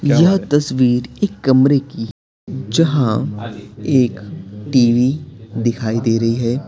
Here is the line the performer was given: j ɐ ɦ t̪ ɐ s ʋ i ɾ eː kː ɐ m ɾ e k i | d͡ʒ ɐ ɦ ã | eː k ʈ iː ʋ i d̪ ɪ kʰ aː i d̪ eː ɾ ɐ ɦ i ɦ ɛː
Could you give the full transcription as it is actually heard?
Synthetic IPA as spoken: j ɐ ɦ t̪ ɐ s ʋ iː ɾ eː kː ɐ m ɾ e k i | d͡ʒ ɐ ɦ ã | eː k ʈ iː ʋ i d̪ ɪ kʰ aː i d̪ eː ɾ ɐ ɦ i ɦ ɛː